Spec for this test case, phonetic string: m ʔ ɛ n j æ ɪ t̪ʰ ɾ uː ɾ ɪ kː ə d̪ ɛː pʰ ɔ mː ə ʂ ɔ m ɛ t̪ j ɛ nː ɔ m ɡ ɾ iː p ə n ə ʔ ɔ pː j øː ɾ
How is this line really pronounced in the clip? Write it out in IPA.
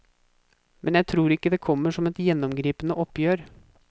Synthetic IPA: m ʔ ɛ n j æ ɪ t̪ʰ ɾ uː ɾ ɪ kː ə d̪ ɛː kʰ ɔ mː ə ʂ ɔ m ɛ t̪ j ɛ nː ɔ m ɡ ɾ iː p ə n ə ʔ ɔ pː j øː ɾ